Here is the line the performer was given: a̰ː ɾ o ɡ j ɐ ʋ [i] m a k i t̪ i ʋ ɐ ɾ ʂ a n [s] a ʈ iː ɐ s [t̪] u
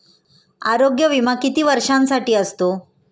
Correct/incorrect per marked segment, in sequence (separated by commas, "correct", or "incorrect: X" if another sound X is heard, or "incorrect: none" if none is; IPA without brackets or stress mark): correct, correct, correct